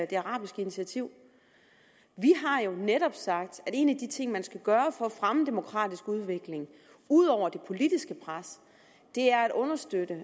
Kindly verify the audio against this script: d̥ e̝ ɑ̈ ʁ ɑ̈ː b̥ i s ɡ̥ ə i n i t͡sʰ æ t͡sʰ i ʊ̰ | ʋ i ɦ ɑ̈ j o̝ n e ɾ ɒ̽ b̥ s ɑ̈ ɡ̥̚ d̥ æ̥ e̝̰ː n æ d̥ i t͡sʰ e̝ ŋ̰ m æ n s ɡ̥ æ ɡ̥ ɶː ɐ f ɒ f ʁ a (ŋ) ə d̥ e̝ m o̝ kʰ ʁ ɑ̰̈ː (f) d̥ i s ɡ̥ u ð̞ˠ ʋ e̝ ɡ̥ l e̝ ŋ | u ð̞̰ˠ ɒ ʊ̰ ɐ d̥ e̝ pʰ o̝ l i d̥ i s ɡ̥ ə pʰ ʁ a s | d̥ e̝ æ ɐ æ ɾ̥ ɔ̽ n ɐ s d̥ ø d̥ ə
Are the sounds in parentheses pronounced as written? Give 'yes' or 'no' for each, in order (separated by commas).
no, no